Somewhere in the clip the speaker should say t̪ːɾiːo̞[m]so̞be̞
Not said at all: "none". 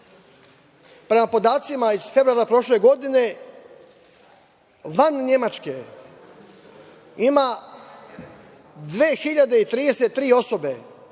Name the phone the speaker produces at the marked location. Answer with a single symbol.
none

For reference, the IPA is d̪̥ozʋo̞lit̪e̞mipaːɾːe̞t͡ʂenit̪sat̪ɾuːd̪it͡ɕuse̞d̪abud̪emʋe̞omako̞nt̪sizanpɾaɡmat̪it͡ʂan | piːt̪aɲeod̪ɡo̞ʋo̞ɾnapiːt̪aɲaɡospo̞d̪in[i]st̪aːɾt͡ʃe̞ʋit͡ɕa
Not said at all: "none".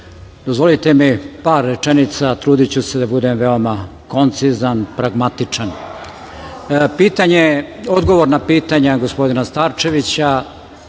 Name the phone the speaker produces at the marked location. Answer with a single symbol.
a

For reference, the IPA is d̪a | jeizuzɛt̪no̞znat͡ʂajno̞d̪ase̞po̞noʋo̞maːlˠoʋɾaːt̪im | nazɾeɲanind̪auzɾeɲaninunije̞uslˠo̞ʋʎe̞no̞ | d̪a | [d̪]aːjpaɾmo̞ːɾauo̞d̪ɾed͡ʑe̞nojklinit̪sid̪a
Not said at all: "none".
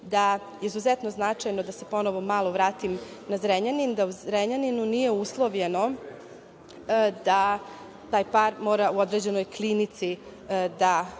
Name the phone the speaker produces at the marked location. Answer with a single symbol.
t̪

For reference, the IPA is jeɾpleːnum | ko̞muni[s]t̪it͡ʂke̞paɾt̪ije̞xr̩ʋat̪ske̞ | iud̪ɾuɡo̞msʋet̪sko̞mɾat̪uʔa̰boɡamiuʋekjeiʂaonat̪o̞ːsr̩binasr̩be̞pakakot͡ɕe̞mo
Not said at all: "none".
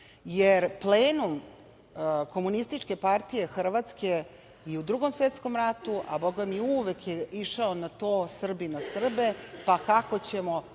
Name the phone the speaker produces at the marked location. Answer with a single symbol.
s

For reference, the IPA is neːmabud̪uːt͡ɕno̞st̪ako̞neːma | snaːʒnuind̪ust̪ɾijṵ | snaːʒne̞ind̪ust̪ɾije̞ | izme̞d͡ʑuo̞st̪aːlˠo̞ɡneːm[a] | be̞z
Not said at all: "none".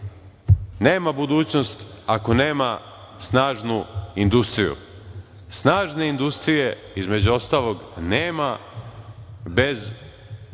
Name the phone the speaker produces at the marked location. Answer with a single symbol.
a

